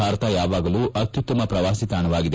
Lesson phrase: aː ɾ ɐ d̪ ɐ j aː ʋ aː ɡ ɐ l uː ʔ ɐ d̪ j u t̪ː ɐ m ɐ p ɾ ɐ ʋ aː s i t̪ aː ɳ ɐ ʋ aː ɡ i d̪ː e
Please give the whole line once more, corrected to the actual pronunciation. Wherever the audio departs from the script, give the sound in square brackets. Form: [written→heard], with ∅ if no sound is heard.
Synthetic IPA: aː ɾ ɐ [d̪→t̪] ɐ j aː ʋ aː ɡ ɐ l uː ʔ ɐ [d̪→t̪] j u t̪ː ɐ m ɐ p ɾ ɐ ʋ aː s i t̪ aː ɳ ɐ ʋ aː ɡ i [d̪ː→d̪] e